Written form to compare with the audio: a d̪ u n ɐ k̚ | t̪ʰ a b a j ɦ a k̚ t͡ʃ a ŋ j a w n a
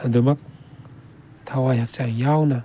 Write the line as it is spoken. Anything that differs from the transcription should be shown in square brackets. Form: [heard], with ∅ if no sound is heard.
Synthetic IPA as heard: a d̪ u [m] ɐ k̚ | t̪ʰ a [w] a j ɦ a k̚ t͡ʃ a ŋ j a w n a